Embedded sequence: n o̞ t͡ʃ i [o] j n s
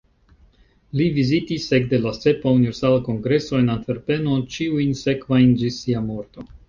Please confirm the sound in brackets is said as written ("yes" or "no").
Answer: no